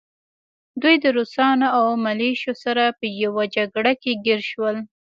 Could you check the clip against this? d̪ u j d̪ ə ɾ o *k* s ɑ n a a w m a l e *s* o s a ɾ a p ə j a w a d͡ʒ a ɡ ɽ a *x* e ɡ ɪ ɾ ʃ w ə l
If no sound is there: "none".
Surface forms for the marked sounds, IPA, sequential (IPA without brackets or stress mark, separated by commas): none, ʃ, k